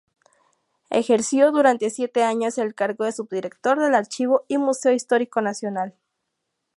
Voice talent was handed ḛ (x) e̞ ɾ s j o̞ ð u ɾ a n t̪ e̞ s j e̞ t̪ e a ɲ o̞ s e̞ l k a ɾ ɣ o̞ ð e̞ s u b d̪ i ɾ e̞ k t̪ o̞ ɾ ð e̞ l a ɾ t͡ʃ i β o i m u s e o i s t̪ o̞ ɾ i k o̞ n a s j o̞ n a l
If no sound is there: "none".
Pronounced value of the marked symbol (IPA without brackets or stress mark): x